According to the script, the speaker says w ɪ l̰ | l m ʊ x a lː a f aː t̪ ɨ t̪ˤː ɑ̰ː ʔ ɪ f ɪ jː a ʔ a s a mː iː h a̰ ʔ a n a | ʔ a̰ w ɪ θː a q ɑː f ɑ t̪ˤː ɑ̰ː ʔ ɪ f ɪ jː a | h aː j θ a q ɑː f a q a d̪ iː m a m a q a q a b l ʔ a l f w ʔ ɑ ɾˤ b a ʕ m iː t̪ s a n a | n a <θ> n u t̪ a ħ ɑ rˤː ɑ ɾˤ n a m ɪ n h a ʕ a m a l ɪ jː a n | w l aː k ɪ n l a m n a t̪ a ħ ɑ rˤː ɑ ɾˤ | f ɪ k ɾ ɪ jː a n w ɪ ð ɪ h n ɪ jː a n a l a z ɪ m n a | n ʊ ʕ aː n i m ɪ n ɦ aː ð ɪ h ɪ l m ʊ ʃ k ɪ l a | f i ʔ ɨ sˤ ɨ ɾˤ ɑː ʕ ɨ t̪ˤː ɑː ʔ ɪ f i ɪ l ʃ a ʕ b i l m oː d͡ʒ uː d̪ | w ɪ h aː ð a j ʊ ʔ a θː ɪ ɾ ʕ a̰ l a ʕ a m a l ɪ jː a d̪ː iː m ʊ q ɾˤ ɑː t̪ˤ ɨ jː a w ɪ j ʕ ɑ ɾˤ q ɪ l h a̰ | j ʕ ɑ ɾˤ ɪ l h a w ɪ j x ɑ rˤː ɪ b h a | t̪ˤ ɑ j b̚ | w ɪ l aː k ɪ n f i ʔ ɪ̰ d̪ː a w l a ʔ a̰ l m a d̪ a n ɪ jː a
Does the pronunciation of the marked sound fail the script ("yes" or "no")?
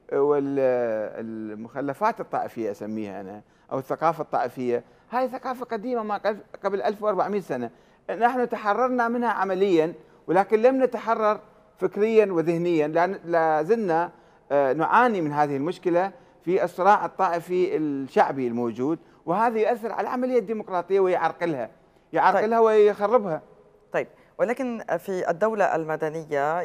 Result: yes